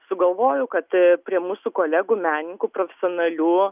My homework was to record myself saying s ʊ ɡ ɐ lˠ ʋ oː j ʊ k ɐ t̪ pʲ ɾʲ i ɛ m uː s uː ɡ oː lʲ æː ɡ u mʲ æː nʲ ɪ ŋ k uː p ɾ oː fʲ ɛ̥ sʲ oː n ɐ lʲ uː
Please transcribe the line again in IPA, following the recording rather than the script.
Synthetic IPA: s ʊ ɡ ɐ lˠ ʋ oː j ʊ k ɐ t̪ pʲ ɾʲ i ɛ m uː s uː k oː lʲ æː ɡ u mʲ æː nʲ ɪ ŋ k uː p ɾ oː fʲ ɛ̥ sʲ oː n ɐ lʲ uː